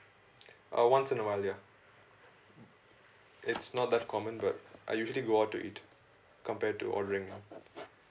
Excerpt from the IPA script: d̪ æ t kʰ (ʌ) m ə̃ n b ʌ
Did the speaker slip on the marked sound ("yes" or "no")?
yes